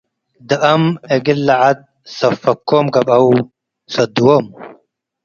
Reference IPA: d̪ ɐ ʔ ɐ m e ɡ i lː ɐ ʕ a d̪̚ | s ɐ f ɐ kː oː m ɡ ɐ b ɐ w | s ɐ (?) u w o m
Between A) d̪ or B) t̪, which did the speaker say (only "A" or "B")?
A